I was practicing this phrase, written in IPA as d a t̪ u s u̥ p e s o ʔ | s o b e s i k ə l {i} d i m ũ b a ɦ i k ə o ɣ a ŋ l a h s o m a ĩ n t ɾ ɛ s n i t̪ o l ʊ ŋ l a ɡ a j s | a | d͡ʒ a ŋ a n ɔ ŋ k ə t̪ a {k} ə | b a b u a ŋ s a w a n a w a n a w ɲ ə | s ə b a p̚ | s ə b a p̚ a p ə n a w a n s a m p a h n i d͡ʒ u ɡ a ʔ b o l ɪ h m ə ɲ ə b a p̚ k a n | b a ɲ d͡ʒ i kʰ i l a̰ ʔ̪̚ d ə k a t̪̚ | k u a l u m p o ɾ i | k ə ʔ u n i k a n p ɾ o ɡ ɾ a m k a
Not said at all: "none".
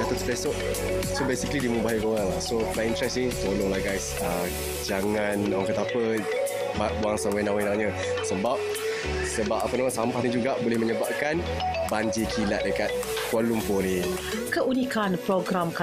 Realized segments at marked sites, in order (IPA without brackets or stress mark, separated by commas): i, p